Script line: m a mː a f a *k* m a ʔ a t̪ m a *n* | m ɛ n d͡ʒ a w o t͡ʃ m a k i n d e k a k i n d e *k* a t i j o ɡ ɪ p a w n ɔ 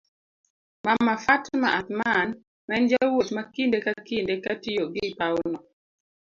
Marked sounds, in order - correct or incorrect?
incorrect: t, correct, correct

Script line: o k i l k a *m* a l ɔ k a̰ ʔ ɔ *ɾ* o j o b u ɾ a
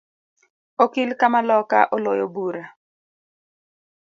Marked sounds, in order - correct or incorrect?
correct, incorrect: l

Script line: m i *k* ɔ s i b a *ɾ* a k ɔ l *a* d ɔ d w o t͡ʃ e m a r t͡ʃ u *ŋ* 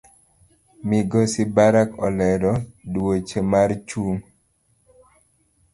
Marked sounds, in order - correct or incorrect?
incorrect: ɡ, correct, incorrect: ɛ, correct

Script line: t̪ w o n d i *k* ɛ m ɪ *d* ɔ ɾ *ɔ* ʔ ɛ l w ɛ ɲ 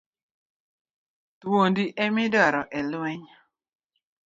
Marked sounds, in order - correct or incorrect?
incorrect: ʔ, correct, correct

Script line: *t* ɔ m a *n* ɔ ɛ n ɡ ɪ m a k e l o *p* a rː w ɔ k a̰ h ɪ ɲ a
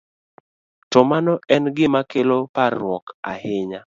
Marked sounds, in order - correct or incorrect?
correct, correct, correct

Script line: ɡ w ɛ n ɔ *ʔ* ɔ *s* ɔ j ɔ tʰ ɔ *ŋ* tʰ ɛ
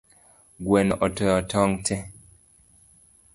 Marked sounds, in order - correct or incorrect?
correct, incorrect: t, correct

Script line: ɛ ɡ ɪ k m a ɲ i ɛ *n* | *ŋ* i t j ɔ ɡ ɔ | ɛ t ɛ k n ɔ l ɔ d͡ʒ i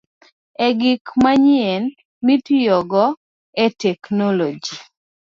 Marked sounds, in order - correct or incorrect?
correct, incorrect: m

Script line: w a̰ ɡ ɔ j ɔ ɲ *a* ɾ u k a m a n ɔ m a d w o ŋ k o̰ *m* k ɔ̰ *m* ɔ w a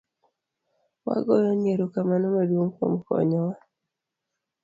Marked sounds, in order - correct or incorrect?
incorrect: e, correct, incorrect: ɲ

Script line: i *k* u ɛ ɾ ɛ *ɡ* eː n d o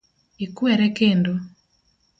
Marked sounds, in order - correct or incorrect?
correct, incorrect: k

